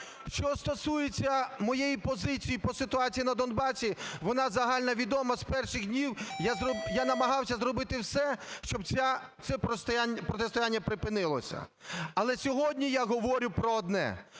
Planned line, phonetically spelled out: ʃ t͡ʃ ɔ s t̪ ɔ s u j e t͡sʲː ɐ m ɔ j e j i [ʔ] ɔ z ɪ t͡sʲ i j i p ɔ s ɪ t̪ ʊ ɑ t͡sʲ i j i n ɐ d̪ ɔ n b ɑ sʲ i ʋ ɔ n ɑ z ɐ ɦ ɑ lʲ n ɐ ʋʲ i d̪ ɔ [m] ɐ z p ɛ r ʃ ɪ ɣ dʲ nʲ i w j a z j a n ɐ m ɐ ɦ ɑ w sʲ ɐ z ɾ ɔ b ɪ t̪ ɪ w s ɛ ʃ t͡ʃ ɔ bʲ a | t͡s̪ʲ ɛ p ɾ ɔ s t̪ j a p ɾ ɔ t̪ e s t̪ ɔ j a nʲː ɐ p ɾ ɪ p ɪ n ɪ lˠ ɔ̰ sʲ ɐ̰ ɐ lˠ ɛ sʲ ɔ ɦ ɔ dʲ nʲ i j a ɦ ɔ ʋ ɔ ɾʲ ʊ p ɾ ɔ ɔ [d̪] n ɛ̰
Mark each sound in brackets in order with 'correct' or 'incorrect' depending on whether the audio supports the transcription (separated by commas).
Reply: incorrect, correct, correct